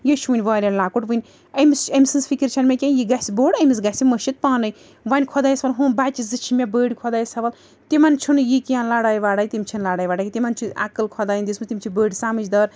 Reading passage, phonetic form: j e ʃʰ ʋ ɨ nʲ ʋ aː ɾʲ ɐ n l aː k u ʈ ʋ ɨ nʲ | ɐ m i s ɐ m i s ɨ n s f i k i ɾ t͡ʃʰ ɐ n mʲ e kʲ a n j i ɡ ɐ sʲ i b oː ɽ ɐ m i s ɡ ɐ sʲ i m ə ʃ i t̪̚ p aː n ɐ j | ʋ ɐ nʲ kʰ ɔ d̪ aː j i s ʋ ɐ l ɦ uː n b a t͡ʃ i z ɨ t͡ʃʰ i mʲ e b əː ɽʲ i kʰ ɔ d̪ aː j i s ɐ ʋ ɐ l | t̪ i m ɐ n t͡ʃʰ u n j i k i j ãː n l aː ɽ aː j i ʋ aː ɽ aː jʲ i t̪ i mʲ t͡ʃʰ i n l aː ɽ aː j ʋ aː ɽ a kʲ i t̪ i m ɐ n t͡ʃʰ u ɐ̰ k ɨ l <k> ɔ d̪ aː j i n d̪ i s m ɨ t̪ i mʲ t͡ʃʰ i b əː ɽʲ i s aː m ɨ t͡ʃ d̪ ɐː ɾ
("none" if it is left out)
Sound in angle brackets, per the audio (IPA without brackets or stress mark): kʰ